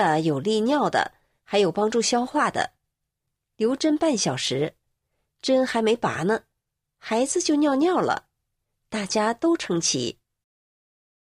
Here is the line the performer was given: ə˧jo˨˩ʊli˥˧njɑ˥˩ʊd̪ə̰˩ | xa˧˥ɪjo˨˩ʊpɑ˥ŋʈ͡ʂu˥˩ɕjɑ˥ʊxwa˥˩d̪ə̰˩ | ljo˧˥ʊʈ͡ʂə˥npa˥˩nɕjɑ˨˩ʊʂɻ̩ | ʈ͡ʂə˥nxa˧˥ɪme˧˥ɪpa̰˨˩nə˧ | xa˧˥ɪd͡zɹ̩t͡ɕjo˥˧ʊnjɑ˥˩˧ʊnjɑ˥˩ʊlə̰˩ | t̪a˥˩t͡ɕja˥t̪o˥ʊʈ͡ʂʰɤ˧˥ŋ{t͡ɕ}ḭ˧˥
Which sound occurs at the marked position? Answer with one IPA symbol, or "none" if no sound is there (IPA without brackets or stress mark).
t͡ɕʰ